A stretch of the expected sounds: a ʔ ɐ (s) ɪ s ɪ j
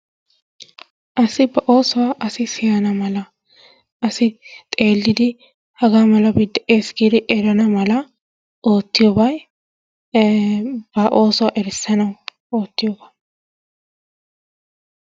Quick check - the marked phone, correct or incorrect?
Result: correct